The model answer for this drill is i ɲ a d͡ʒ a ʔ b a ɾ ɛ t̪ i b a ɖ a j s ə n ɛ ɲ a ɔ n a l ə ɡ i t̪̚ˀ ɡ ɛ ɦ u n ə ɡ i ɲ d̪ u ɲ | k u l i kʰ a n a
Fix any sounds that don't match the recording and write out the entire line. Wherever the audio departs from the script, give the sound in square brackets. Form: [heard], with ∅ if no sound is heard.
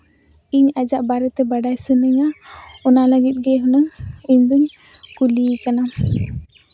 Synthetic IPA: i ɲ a d͡ʒ a ʔ b a ɾ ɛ t̪ [ɛ] b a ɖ a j s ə n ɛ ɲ a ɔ n a l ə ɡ i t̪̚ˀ ɡ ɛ ɦ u n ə [ŋ] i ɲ d̪ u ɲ | k u l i [k] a n a